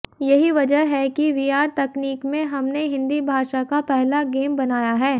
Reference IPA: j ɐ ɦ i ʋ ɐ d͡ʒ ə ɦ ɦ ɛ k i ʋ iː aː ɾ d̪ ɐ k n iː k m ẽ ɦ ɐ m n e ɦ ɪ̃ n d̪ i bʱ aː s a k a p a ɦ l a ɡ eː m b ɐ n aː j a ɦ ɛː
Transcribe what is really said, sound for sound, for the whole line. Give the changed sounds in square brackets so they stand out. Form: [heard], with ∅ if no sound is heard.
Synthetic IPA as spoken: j ɐ ɦ i ʋ ɐ d͡ʒ ə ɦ ɦ ɛ k i ʋ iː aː ɾ [t̪] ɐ k n iː k m ẽ ɦ ɐ m n e ɦ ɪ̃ n d̪ i bʱ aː [ʃ] a k a p [ɛ] ɦ l a ɡ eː m b ɐ n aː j a ɦ ɛː